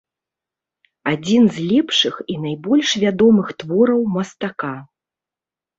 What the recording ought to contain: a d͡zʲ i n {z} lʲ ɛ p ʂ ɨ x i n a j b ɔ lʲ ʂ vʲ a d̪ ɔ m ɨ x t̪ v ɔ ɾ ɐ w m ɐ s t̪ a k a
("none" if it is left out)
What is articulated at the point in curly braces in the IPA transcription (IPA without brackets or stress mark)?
z